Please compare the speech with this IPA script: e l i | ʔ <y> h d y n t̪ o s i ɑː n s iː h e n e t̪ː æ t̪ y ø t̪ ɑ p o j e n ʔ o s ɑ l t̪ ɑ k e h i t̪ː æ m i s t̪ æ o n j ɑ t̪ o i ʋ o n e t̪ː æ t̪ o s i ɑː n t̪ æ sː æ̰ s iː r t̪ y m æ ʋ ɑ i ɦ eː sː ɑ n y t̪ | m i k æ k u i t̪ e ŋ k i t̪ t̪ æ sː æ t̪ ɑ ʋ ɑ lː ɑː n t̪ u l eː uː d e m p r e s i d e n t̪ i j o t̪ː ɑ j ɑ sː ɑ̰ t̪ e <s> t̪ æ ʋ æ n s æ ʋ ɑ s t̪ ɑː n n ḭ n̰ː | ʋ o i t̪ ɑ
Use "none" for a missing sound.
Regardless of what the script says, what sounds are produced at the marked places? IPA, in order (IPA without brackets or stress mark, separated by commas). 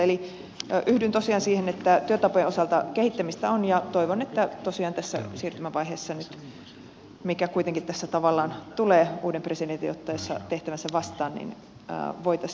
y, h